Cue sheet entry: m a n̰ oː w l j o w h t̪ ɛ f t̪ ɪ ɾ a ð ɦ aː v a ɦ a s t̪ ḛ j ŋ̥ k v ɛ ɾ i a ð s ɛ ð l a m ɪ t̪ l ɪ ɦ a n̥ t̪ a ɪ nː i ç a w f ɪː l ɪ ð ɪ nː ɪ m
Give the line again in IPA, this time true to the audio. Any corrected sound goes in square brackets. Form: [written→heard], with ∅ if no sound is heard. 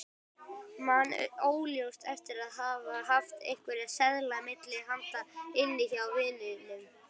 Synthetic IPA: m a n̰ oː w l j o w [h→s] t̪ ɛ f t̪ ɪ ɾ a ð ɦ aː v a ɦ a [s→f] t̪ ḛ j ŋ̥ k v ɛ ɾ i a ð s ɛ ð l a m ɪ t̪ l ɪ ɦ a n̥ t̪ a ɪ nː [i→ɪ] ç a w [f→v] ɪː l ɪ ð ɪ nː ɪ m